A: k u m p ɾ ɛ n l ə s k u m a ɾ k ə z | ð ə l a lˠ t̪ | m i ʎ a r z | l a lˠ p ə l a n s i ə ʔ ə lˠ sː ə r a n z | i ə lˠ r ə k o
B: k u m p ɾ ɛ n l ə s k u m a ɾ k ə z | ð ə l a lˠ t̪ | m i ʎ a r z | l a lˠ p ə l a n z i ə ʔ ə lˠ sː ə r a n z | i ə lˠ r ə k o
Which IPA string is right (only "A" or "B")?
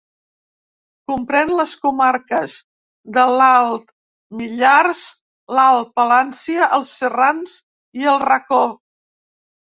A